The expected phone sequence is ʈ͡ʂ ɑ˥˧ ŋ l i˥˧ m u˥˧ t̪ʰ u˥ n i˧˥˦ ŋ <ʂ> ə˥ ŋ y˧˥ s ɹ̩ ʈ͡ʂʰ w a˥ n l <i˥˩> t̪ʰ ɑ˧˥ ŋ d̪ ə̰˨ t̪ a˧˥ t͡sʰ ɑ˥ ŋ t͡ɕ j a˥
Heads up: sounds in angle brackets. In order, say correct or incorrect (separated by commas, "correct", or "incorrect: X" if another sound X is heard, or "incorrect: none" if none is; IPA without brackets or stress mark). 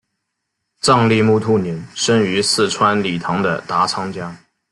correct, incorrect: i˨˩